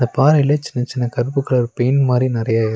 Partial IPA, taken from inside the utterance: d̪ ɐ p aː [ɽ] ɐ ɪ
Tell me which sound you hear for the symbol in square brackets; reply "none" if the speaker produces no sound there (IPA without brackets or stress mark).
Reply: ɾ